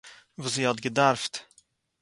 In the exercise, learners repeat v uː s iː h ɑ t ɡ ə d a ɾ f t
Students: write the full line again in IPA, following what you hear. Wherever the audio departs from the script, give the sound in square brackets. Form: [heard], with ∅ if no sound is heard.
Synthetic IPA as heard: v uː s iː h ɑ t ɡ ə d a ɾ f t